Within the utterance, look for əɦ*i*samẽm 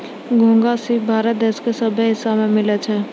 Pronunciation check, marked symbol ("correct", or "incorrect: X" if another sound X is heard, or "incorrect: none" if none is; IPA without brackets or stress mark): incorrect: ɪ